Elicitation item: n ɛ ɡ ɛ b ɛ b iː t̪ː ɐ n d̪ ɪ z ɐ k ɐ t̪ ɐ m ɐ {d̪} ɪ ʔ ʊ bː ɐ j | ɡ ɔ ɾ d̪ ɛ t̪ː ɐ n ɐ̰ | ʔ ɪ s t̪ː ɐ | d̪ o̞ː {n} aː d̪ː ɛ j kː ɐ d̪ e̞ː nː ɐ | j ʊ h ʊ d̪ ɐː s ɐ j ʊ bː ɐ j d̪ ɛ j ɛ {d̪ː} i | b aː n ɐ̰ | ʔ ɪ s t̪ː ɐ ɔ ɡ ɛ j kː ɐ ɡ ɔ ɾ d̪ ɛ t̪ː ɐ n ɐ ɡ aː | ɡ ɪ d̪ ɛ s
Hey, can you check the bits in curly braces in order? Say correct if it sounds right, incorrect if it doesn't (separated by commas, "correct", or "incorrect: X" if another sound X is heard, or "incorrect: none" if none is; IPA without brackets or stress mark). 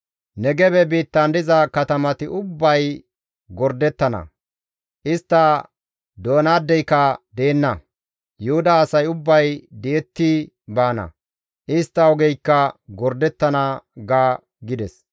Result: incorrect: t̪, correct, incorrect: t̪ː